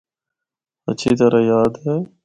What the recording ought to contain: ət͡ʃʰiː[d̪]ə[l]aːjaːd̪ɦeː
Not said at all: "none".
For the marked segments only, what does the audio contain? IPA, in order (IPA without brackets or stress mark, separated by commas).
t̪, ɾ